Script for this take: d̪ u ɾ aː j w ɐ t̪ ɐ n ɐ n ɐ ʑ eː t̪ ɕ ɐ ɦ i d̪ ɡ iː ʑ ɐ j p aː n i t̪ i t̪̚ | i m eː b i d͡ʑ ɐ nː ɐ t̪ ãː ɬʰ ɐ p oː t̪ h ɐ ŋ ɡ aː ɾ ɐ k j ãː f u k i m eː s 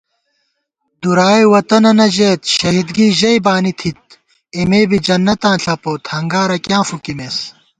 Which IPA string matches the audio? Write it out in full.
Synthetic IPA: d̪ u ɾ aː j w ɐ t̪ ɐ n ɐ n ɐ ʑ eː t̪ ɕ ɐ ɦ i d̪ ɡ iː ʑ ɐ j b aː n i t̪ʰ i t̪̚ | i m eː b i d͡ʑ ɐ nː ɐ t̪ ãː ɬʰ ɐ p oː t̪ h ɐ ŋ ɡ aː ɾ ɐ k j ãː f u k i m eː s